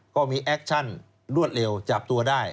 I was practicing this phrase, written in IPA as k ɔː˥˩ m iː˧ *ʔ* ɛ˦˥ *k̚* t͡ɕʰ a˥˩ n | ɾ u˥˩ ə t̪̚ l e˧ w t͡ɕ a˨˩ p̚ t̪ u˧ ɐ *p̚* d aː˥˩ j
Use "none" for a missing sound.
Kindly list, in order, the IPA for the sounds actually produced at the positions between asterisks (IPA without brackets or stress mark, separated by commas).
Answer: ʔ, k̚, none